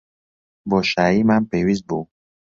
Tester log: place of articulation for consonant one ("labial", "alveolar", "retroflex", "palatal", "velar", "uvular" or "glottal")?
labial